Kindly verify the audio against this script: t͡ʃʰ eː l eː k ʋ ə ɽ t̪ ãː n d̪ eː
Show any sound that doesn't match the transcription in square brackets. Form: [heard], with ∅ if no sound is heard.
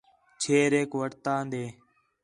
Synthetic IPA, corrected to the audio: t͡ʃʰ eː [ɾ] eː k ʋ ə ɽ t̪ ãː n d̪ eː